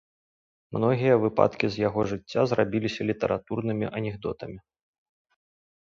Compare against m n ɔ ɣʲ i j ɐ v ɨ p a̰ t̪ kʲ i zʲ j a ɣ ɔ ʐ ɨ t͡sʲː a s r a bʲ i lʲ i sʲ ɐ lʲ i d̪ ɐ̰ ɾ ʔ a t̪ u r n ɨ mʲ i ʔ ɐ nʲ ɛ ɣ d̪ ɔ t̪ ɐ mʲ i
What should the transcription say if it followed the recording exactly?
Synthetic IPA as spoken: m n ɔ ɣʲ i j ɐ v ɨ p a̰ t̪ kʲ i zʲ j a ɣ ɔ ʐ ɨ t͡sʲː a z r a bʲ i lʲ i sʲ ɐ lʲ i t̪ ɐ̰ ɾ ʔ a t̪ u r n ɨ mʲ i ʔ ɐ nʲ ɛ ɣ d̪ ɔ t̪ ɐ mʲ i